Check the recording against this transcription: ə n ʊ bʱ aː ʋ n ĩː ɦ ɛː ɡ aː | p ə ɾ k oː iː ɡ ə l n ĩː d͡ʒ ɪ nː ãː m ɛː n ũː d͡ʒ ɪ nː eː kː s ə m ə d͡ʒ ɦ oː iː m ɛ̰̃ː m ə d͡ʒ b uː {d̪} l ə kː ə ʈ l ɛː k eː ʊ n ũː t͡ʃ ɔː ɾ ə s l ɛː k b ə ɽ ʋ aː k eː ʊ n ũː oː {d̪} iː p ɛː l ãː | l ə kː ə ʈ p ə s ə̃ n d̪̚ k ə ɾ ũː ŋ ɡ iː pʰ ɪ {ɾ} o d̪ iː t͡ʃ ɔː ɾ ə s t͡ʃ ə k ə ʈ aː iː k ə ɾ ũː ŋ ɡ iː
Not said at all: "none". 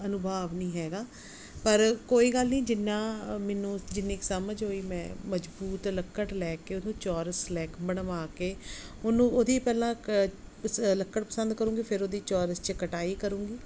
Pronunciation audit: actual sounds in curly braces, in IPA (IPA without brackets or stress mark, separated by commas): t̪, d̪, ɾ